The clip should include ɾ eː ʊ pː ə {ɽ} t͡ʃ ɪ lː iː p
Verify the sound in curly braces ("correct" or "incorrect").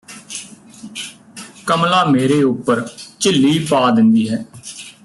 incorrect